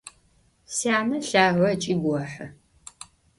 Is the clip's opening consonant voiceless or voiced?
voiceless